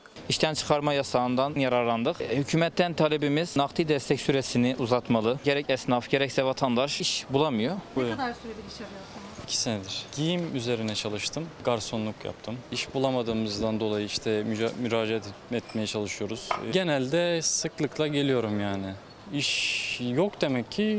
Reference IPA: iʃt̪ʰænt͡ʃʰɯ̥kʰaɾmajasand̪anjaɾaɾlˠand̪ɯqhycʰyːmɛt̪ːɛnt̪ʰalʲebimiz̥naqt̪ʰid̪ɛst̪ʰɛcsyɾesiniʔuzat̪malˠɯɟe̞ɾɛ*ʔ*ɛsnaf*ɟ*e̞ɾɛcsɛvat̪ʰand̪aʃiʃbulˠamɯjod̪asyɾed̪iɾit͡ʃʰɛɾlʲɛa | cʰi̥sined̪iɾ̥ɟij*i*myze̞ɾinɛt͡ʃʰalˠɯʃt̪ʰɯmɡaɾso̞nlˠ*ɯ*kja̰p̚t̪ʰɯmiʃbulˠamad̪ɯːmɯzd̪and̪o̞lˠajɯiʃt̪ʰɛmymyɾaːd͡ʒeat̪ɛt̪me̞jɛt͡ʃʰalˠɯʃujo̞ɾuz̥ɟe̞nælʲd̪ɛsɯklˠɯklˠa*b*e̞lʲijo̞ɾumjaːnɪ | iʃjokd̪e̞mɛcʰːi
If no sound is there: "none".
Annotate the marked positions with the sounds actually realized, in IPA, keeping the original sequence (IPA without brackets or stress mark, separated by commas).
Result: c, ɟ, i, u, ɟ